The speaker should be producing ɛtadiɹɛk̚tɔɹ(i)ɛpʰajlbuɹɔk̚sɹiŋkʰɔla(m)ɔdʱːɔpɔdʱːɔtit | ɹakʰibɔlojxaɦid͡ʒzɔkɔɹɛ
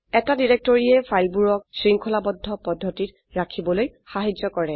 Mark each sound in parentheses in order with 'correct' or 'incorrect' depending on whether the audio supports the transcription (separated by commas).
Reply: correct, incorrect